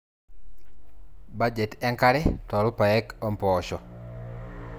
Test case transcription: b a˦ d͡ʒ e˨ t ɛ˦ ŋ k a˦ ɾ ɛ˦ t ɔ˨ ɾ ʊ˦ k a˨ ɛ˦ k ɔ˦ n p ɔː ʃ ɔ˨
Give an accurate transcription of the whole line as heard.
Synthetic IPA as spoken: b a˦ d͡ʒ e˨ t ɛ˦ ŋ k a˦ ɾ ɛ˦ t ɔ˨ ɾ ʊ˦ p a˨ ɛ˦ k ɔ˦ m p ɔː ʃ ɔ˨